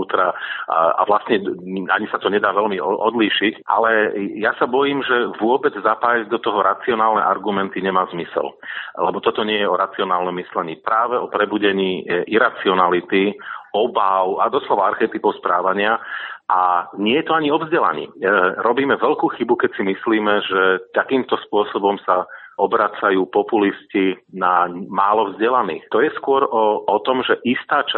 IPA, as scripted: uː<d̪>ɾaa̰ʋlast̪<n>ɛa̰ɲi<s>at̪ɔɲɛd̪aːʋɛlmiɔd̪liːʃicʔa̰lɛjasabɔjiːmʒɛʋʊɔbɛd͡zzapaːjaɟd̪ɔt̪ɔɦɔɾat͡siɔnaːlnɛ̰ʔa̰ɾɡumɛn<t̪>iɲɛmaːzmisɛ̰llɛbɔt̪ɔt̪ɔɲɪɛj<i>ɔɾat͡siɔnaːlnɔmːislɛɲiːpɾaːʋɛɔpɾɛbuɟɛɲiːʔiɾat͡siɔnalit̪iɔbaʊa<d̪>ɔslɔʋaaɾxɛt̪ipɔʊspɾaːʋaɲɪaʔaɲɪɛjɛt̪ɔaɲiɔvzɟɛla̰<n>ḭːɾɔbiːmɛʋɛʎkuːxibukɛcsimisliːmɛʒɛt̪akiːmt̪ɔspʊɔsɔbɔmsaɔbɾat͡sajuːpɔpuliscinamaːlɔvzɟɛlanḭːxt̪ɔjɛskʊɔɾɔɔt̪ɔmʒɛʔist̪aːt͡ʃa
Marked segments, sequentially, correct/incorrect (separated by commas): incorrect, incorrect, correct, correct, incorrect, correct, incorrect